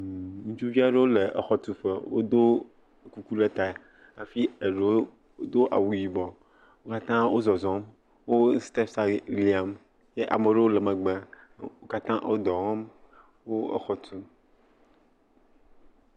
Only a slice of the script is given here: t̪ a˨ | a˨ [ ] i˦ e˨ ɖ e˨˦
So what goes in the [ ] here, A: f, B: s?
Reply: A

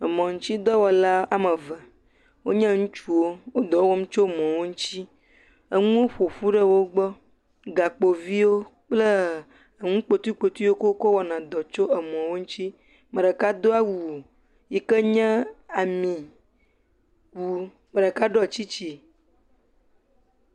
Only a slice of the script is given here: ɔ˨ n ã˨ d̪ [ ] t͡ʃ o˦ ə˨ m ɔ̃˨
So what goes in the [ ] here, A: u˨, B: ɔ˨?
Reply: B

